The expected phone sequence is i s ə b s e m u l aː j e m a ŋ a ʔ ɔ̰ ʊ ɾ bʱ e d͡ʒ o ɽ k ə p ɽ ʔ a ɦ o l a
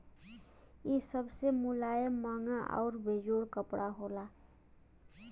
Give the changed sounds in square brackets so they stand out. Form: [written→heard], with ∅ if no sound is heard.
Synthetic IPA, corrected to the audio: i s ə b s e m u l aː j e m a ŋ a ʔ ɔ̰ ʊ ɾ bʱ e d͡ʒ o ɽ k ə p ɽ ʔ a ɦ o l a